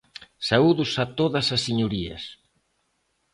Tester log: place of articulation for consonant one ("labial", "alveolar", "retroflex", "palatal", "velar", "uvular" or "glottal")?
alveolar